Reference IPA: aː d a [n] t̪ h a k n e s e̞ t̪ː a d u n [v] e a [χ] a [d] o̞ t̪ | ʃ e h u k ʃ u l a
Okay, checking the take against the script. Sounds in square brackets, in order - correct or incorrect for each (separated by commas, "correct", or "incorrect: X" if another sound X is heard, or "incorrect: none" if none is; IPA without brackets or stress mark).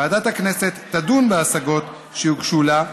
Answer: incorrect: none, incorrect: b, incorrect: s, incorrect: ɡ